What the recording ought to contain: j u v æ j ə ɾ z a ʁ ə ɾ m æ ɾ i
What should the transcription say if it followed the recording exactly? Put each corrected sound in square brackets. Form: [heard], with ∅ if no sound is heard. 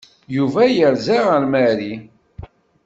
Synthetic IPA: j u v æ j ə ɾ z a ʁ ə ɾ m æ ɾ i

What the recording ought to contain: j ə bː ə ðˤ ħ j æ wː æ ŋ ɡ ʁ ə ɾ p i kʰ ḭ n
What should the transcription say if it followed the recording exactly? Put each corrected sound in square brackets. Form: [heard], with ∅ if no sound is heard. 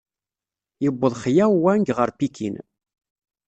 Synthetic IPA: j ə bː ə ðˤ [χ] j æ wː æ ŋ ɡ ʁ ə ɾ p i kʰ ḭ n

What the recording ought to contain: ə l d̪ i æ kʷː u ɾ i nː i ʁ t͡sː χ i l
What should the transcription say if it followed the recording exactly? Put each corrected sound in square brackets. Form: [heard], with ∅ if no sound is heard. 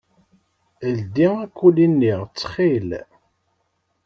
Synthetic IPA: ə l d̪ i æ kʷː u [l] i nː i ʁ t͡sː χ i l

